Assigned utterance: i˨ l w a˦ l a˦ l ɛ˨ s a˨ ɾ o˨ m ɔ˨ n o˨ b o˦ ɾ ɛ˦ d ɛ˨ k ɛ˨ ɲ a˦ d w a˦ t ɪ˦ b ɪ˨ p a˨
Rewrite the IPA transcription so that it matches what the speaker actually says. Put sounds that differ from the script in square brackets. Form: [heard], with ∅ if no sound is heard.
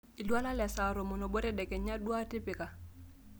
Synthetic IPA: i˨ l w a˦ l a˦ l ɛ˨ s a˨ ɾ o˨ m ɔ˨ n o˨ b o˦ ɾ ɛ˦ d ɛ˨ k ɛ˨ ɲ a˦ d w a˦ t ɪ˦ [p] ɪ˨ [k] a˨